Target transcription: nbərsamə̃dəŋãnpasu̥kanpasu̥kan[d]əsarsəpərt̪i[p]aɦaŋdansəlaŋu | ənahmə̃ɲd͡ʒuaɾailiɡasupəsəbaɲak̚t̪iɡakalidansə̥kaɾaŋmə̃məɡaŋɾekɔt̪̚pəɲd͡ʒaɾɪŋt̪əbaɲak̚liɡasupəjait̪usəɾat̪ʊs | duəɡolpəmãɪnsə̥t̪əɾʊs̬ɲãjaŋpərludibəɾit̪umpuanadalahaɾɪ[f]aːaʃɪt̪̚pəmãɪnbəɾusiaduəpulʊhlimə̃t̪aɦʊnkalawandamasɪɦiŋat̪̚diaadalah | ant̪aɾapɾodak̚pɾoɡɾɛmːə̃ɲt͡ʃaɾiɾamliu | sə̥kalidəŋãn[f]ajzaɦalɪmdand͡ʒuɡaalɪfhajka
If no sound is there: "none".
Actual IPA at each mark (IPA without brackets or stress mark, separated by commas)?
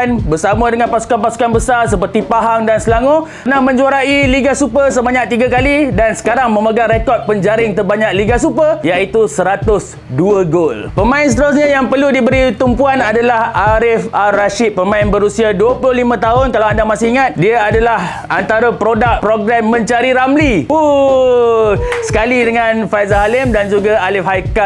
b, p, f, f